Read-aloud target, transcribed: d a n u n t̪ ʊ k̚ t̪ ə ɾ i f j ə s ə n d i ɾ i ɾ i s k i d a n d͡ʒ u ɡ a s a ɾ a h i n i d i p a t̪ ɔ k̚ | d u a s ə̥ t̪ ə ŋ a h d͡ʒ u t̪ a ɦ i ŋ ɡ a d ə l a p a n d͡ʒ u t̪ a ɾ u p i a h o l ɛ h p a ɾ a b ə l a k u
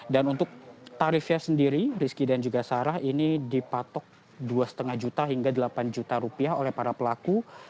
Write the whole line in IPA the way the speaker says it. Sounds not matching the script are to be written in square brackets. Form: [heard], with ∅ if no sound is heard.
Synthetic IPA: d a n u n t̪ ʊ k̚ t̪ [a] ɾ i f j [a] s ə n d i ɾ i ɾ i s k i d a n d͡ʒ u ɡ a s a ɾ a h i n i d i p a t̪ ɔ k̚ | d u a s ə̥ t̪ ə ŋ a h d͡ʒ u t̪ a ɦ i ŋ ɡ a d ə l a p a n d͡ʒ u t̪ a ɾ u p i a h o l ɛ h p a ɾ a [p] ə l a k u